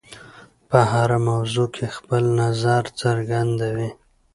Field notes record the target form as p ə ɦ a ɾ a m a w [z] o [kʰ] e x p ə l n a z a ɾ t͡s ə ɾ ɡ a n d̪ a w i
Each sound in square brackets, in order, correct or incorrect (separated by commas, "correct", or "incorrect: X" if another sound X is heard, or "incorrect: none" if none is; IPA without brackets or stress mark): correct, correct